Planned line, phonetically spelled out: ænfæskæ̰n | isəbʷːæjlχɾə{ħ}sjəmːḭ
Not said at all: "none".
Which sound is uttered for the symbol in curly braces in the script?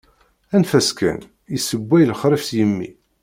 f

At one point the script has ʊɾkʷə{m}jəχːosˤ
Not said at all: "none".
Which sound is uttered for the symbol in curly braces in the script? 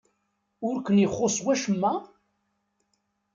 n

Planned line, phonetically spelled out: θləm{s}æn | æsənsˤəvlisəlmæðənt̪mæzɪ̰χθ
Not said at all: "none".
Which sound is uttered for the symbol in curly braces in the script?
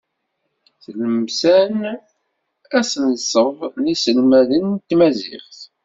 s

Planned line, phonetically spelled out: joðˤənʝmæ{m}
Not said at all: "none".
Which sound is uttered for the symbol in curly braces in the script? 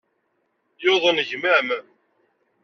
m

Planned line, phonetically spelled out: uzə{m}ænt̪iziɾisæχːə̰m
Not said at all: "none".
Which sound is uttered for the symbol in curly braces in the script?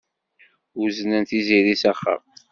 n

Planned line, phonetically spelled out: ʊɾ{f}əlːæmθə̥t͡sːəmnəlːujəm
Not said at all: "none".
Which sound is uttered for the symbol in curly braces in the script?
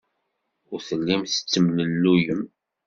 θ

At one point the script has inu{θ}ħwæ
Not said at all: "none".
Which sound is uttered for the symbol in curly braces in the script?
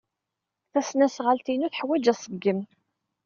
θ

